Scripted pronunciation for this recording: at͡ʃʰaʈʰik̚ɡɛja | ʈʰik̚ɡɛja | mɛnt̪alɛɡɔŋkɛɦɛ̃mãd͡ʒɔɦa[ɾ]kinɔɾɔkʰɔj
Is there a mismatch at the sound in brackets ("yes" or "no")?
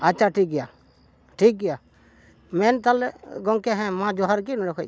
no